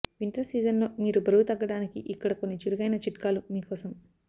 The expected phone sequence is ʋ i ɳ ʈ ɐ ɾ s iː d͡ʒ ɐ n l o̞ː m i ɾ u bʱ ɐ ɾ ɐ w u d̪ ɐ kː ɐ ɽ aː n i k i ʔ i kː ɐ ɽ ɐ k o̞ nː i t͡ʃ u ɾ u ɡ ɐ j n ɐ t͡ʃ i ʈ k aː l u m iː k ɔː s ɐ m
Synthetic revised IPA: ʋ i ɳ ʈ ɐ ɾ s iː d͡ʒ ɐ n l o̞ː m iː ɾ u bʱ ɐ ɾ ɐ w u t̪ ɐ ɡː ɐ ɽ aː n i k i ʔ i kː ɐ ɽ ɐ k o̞ nː i t͡ʃ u ɾ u ɡ ɐ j n ɐ t͡ʃ i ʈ k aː l u m iː k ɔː s ɐ m